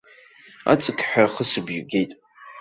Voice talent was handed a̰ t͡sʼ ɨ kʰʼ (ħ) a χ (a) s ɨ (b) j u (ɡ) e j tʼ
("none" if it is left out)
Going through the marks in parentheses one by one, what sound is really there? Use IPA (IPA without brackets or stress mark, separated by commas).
ħ, ə, b, ɡ